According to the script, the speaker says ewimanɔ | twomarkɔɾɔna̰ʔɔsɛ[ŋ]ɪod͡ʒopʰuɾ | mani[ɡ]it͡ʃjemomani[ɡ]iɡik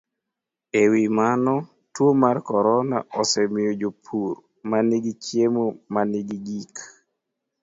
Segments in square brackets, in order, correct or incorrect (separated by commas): incorrect, correct, correct